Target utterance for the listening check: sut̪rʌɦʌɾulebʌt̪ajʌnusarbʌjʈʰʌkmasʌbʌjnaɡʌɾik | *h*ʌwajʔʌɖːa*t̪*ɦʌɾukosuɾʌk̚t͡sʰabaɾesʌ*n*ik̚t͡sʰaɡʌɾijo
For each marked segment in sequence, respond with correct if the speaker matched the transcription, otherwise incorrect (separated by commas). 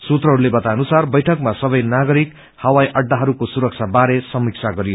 correct, incorrect, incorrect